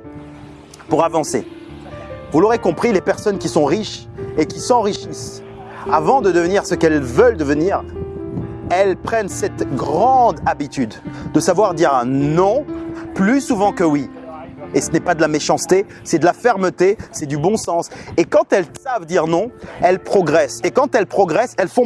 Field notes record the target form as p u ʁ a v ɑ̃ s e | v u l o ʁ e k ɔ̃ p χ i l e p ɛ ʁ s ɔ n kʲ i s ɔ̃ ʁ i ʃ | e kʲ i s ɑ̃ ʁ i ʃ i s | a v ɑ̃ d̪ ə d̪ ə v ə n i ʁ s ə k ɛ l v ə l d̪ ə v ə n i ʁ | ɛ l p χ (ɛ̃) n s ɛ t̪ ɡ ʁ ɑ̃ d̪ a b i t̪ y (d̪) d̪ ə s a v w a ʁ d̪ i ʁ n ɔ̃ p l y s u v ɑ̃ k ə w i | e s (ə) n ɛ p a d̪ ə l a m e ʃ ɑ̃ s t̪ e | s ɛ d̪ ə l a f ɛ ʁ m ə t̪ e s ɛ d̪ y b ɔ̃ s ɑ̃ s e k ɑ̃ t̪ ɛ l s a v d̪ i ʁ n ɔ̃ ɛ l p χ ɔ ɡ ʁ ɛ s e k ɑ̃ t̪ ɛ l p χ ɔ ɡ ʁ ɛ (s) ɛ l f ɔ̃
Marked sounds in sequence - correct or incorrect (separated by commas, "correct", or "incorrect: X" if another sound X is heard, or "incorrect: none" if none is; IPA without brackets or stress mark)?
incorrect: ɛ, correct, correct, correct